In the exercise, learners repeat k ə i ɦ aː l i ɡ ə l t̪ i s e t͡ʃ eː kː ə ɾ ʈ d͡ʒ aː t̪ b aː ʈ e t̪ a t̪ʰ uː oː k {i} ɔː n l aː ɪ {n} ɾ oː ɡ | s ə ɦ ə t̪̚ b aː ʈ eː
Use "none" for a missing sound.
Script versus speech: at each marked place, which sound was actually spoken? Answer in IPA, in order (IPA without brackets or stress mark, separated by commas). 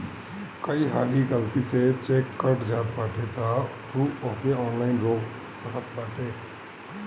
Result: e, n